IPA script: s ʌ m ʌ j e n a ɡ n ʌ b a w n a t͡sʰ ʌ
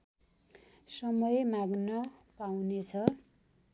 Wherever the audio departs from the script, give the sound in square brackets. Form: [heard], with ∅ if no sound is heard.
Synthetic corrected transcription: s ʌ m ʌ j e [m] a ɡ n ʌ [p] a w n [e] t͡sʰ ʌ